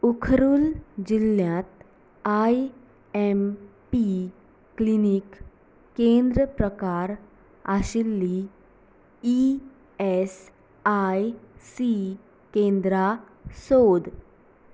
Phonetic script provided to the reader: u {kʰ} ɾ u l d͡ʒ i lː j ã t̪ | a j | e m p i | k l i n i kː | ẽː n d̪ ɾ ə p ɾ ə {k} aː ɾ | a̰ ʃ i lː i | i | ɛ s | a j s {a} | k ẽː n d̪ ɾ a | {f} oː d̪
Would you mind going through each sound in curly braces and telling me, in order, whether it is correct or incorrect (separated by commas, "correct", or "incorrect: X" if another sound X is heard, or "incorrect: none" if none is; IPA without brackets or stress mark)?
correct, correct, incorrect: i, incorrect: s